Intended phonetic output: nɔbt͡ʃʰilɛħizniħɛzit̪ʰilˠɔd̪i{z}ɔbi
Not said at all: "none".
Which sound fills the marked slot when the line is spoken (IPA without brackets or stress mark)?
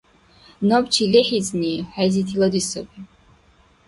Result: s